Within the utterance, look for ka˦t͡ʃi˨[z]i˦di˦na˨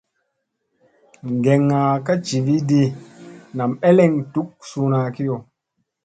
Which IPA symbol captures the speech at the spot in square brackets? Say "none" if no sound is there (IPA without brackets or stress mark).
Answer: v